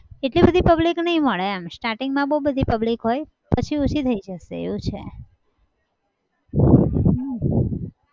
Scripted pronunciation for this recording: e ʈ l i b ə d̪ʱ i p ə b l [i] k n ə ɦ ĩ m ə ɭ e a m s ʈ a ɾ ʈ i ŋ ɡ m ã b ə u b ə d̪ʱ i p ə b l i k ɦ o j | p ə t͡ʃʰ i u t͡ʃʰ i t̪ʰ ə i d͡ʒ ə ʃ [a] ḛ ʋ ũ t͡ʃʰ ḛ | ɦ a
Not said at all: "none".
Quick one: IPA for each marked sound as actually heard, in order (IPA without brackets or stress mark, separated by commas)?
i, e